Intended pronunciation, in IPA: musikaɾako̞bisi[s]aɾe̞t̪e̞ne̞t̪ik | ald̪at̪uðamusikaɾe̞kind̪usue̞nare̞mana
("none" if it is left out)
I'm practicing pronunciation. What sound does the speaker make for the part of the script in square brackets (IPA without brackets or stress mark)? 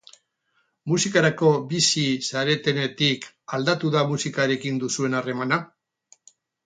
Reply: s